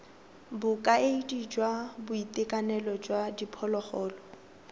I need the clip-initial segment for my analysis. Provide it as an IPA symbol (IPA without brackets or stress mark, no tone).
b